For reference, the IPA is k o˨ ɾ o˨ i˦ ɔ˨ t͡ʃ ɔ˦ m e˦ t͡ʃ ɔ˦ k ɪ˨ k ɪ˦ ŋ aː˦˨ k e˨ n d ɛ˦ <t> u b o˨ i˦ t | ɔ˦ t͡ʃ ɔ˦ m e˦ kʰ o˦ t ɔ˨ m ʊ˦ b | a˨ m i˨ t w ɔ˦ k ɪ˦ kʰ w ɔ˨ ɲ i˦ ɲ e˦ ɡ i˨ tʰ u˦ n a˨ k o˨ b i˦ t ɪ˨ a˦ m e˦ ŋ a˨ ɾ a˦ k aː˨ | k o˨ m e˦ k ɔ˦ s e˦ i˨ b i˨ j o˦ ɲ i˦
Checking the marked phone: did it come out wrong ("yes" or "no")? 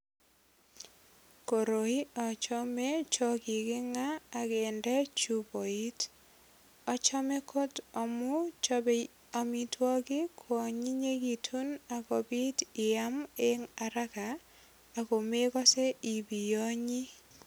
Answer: yes